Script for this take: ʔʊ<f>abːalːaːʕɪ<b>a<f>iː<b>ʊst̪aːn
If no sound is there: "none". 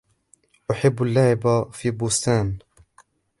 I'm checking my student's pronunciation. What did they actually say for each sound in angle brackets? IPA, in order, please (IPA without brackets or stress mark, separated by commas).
ħ, b, f, b